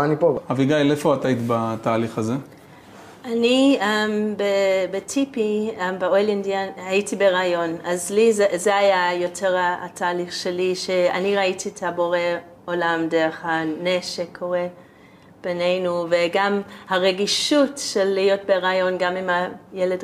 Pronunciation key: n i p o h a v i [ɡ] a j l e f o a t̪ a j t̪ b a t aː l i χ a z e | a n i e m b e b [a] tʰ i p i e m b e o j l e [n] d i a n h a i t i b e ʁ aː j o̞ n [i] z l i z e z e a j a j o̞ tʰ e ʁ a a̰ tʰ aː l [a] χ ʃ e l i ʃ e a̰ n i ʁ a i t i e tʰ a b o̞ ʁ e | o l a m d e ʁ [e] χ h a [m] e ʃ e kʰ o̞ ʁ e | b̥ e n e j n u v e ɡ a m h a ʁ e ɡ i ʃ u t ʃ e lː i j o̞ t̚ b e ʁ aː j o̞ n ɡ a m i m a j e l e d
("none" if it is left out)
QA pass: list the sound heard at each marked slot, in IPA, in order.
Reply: ɡ, e, n, a, i, e, n

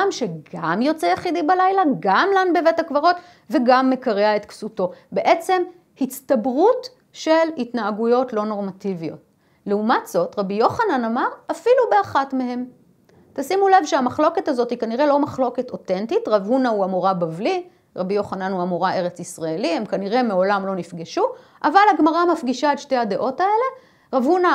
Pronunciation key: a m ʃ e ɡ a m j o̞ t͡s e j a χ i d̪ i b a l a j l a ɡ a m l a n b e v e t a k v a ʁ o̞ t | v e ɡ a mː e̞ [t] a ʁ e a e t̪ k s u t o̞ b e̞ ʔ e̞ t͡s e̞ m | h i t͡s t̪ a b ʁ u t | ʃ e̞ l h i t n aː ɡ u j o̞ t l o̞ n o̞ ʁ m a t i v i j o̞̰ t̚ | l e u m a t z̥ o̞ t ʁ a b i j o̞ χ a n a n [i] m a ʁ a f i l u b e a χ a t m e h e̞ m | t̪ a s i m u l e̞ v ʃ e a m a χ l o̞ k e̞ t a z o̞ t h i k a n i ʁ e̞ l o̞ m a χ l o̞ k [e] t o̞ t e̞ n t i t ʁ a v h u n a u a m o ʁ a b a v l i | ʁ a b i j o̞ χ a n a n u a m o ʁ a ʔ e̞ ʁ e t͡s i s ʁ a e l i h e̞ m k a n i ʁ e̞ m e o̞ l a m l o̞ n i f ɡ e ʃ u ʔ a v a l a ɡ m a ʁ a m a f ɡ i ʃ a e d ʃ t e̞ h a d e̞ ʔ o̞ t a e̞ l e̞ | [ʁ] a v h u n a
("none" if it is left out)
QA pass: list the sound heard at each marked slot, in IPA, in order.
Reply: k, a, e, ʁ

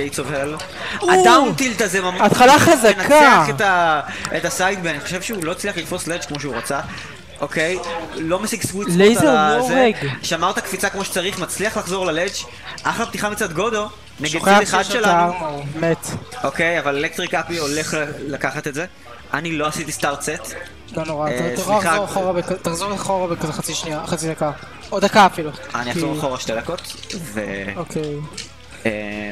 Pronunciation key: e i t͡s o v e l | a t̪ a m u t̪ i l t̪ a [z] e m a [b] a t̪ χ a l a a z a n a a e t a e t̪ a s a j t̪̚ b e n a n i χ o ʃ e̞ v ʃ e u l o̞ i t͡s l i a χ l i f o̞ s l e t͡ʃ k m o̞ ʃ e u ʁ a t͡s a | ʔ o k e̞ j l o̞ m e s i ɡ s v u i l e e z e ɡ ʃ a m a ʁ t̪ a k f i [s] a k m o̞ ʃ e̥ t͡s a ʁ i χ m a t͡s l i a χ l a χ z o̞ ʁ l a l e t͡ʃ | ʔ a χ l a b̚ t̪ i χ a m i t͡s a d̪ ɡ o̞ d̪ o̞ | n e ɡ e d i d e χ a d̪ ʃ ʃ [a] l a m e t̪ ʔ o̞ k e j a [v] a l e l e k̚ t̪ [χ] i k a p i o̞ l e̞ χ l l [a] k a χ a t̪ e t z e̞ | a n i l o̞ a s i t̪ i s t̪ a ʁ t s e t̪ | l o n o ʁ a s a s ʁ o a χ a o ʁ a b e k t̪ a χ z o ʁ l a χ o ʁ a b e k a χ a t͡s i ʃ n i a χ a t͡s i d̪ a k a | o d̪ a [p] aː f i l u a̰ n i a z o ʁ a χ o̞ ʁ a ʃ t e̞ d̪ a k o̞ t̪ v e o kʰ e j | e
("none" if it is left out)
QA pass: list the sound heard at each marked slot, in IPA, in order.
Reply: z, m, t͡s, e, v, ʁ, a, k

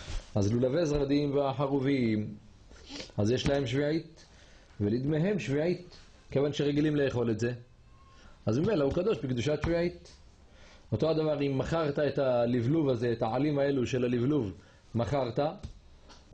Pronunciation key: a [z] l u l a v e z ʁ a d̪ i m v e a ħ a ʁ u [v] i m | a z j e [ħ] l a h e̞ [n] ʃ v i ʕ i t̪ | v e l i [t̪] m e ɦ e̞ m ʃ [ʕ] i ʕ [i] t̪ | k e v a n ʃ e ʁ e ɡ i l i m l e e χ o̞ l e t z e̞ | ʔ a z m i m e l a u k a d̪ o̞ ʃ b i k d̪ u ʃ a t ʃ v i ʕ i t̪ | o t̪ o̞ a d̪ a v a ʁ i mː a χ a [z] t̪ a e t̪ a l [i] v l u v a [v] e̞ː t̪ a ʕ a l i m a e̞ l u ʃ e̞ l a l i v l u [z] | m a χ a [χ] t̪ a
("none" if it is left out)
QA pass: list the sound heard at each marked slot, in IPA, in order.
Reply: z, v, ʃ, m, d̪, v, i, ʁ, i, z, v, ʁ

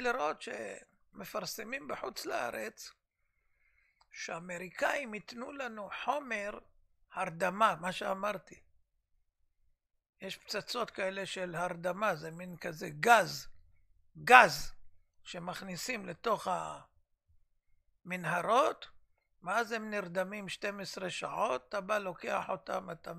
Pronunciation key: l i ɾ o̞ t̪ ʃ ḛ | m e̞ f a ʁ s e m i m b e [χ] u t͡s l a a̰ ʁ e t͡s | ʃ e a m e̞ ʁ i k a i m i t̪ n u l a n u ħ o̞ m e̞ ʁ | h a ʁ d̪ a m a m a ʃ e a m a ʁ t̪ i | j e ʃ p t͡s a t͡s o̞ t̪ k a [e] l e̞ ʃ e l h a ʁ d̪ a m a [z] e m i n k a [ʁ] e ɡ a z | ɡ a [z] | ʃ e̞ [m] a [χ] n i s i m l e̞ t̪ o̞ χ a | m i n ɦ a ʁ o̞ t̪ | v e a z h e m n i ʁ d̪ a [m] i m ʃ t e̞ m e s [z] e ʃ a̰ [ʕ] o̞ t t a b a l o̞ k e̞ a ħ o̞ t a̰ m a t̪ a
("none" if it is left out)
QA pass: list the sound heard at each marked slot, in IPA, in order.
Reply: ħ, e, z, z, z, m, χ, m, ʁ, ʕ

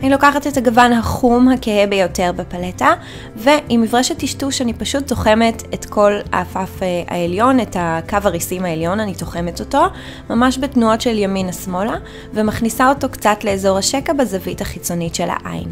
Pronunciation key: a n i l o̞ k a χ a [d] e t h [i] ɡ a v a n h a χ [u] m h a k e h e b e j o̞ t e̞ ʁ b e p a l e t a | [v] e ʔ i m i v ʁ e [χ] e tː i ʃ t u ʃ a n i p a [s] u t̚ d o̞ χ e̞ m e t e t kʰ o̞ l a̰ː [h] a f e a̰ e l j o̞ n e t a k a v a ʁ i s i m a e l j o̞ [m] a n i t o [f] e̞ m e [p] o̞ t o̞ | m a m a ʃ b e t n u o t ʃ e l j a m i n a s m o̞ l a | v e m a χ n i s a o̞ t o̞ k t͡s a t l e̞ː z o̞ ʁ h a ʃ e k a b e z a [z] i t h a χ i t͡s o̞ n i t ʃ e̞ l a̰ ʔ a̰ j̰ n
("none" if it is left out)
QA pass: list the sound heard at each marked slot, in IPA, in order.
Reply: t, a, u, v, ʃ, ʃ, f, n, χ, t, v

